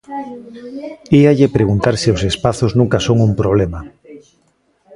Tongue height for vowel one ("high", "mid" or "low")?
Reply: high